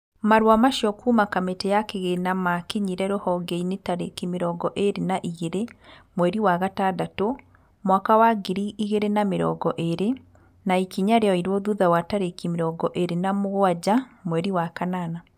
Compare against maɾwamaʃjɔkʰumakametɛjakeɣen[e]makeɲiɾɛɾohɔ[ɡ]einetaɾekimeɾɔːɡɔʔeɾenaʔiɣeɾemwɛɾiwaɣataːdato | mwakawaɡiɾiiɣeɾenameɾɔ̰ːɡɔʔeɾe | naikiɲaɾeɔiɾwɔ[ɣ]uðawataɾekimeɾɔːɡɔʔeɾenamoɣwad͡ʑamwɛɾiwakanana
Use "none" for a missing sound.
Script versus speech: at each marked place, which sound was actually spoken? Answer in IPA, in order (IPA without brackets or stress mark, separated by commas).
a, ɡ, ð